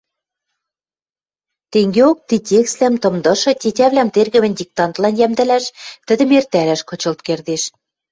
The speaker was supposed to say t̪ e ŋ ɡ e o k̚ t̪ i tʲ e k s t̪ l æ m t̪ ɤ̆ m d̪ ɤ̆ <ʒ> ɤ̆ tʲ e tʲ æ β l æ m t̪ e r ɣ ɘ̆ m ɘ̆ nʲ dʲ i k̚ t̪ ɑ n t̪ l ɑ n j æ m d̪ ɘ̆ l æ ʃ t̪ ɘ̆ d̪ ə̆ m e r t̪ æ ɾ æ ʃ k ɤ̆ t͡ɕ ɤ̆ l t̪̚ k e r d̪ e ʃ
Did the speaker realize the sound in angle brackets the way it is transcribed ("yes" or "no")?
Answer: no